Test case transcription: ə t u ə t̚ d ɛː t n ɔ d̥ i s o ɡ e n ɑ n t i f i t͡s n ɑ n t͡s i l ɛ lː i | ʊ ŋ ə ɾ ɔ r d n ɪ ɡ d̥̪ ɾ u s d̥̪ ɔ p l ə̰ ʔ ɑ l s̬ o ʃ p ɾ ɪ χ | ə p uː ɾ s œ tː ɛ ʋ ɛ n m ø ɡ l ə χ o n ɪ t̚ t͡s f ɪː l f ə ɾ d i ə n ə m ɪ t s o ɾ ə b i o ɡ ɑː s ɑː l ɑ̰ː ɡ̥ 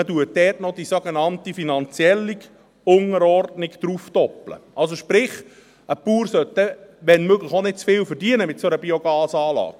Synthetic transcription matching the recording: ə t u ə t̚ d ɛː t n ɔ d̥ i s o ɡ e n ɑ n t i f i n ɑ n t͡s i ɛ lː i | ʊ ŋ ə ɾ ɔ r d n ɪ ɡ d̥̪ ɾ u f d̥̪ ɔ p l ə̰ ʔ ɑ l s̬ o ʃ p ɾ ɪ χ | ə p uː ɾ s œ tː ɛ ʋ ɛ n m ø ɡ l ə χ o n ɪ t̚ t͡s f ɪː l f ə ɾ d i ə n ə m ɪ t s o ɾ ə b i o ɡ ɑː s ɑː l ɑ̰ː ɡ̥